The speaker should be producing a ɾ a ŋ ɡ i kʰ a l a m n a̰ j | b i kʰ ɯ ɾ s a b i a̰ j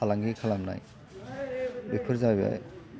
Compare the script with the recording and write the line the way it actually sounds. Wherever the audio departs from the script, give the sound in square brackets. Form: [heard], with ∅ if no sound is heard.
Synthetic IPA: a [l] a ŋ ɡ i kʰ a l a m n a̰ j | b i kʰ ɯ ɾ [z] a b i a̰ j

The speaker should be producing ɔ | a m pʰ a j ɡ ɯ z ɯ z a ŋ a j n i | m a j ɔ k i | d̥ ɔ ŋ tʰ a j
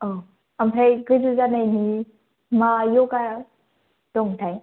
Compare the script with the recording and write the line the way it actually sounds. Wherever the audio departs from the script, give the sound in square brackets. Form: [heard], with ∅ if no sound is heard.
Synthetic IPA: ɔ | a m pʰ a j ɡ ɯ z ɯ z a [n] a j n i | m a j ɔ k [a] | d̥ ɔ ŋ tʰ a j

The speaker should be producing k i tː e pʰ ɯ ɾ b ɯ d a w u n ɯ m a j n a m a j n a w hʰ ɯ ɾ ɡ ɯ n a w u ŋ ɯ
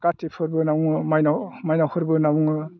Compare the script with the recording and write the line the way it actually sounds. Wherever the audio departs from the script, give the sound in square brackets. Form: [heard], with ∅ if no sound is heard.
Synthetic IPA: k [a] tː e pʰ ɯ ɾ b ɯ [n] a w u [ŋ] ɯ m a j n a m a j n a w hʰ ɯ ɾ [b] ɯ n a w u ŋ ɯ

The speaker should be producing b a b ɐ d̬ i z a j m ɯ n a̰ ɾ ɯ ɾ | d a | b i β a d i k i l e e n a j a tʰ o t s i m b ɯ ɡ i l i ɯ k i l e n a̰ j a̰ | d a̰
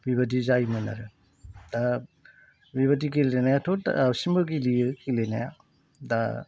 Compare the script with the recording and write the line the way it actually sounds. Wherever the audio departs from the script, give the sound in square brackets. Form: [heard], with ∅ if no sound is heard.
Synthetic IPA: b [i] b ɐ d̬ i z a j m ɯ n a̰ ɾ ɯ [∅] | d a | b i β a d i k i l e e n a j a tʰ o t s i m b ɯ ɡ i l i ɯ k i l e n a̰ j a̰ | d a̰

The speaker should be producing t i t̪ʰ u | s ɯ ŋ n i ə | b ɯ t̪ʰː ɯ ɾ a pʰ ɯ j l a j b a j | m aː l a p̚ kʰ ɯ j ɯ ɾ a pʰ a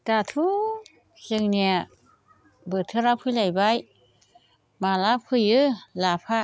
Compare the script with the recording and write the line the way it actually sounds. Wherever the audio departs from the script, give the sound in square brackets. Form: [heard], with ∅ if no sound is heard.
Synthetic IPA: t [a] t̪ʰ u | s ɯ ŋ n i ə | b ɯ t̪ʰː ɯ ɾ a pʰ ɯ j l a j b a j | m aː l a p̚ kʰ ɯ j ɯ [l] a pʰ a

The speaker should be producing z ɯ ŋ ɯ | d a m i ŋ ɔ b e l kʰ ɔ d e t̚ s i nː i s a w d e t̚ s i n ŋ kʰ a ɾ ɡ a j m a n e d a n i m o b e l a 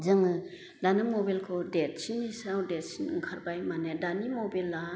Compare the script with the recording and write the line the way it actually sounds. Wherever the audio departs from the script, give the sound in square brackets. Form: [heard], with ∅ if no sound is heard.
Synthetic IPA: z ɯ ŋ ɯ | d a [n] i [m] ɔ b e l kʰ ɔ d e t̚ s i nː i s a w d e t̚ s i n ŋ kʰ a ɾ [b] a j m a n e d a n i m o b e l a

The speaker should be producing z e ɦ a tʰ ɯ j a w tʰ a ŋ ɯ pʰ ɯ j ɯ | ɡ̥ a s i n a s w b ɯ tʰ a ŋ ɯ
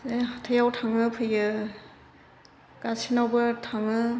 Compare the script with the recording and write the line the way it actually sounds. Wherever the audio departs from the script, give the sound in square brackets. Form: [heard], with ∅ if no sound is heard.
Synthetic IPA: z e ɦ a tʰ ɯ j a w tʰ a ŋ ɯ pʰ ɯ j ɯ | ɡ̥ a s i n a [∅] w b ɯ tʰ a ŋ ɯ

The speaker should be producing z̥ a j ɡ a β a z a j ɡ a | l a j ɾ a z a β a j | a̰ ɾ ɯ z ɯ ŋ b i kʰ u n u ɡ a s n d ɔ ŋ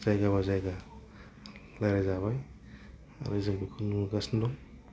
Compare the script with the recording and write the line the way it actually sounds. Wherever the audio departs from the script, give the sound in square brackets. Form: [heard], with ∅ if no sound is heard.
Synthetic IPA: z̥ a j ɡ a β a z a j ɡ a | l a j ɾ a z a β a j | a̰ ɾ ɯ z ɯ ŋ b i kʰ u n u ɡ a s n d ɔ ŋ

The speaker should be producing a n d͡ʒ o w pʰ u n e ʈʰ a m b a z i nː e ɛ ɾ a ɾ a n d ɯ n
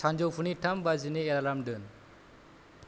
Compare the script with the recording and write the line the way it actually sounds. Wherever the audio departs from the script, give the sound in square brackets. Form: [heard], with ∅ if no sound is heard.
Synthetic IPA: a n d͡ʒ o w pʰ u n [i] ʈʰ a m b a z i [n] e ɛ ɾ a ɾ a [m] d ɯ n

